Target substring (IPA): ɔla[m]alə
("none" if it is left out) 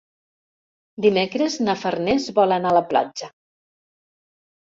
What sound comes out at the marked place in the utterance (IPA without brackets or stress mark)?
n